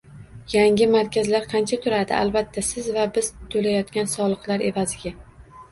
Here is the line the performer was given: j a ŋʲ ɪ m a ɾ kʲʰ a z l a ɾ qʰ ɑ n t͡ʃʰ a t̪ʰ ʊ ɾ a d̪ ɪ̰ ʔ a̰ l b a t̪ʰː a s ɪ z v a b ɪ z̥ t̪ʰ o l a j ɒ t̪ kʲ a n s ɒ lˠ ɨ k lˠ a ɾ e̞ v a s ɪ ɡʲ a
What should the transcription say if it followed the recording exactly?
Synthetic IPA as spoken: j a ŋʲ ɪ m a ɾ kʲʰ a z l a ɾ qʰ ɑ n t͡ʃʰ a t̪ʰ ʊ ɾ a d̪ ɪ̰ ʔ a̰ l b a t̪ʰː a s ɪ z v a b ɪ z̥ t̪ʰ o l a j ɒ t̪ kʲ a n s ɒ lˠ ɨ q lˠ a ɾ e̞ v a z ɪ ɡʲ a